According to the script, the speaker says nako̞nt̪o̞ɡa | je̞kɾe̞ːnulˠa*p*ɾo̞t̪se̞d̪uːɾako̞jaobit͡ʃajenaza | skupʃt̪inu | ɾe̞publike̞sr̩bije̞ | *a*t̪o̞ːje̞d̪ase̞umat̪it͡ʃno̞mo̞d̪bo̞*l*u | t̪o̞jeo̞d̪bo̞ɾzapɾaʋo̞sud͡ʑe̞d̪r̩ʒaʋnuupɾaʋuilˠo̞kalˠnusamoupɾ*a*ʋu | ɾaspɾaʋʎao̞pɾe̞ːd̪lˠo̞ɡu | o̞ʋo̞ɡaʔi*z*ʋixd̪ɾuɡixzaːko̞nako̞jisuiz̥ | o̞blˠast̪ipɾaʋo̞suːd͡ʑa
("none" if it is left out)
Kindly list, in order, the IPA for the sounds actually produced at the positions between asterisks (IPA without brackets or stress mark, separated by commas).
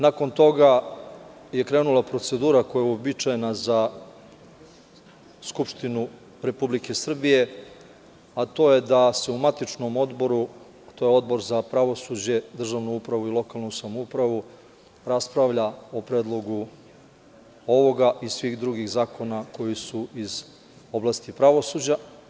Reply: p, a, ɾ, a, s